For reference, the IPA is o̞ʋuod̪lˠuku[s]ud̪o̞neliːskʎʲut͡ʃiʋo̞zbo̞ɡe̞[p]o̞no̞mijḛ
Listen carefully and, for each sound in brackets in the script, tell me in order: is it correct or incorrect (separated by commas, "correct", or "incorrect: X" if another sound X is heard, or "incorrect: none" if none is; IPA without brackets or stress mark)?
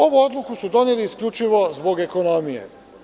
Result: correct, incorrect: k